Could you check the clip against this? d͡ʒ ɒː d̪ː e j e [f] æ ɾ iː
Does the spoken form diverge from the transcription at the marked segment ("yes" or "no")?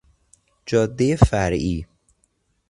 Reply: no